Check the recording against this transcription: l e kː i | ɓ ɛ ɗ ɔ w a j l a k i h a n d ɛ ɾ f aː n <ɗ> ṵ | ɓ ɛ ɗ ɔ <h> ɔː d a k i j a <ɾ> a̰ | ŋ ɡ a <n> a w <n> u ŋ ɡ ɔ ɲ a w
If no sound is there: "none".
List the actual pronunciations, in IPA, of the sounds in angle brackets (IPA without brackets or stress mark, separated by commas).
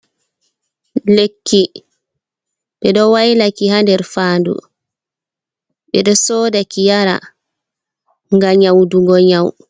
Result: d, s, ɾ, ɲ, d